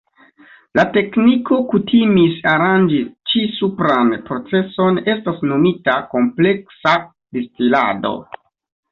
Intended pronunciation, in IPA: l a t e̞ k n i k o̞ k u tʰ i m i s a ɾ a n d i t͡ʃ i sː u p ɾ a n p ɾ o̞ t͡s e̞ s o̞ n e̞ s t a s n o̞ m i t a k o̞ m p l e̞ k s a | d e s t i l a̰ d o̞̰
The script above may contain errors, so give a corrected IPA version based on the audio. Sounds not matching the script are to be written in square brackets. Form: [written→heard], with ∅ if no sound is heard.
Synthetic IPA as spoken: l a t e̞ k n i k o̞ k u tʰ i m i s a ɾ a n [d→d͡ʒ] i t͡ʃ i [sː→s] u p ɾ a n p ɾ o̞ t͡s e̞ s o̞ n e̞ s t a s n o̞ m i t a k o̞ m p l e̞ k s a | d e s t i l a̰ d o̞̰